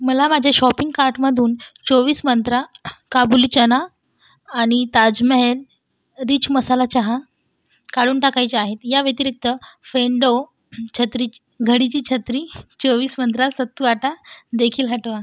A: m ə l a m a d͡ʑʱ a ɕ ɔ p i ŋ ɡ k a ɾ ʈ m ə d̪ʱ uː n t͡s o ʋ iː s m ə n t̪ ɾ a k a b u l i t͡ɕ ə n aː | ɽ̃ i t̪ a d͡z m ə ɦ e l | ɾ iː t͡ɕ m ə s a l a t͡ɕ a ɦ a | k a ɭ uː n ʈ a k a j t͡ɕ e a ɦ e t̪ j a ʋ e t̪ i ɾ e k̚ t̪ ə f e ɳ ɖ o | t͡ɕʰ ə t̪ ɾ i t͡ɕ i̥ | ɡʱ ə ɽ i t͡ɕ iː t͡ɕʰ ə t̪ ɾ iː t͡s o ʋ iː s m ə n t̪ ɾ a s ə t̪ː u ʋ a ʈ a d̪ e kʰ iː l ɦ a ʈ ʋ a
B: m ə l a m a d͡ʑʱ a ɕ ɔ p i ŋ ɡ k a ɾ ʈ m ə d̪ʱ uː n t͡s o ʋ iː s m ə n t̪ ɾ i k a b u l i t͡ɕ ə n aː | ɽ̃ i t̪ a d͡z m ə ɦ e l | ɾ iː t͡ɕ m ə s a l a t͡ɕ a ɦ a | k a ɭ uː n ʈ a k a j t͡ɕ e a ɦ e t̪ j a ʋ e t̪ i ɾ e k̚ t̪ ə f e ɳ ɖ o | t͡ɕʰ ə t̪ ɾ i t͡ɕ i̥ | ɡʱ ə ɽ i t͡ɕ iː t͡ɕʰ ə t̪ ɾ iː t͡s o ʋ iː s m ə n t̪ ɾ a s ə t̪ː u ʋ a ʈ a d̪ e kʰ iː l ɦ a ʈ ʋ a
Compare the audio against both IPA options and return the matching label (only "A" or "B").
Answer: A